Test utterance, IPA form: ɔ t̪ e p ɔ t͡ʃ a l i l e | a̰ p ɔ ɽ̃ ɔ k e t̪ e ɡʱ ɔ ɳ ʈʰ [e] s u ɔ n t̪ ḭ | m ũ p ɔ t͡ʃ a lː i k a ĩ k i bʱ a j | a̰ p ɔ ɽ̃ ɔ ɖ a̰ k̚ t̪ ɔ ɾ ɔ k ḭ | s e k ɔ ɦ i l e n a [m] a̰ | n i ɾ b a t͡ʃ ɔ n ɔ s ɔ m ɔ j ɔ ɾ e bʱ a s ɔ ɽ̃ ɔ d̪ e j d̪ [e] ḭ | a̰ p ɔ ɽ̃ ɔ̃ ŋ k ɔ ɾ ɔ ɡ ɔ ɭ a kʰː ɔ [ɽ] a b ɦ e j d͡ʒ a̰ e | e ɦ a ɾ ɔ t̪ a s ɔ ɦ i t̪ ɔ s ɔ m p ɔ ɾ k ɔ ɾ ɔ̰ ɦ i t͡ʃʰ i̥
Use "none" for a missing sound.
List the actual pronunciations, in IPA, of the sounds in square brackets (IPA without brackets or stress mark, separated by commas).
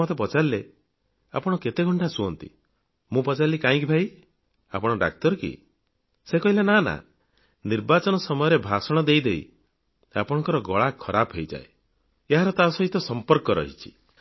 a, n, e, ɾ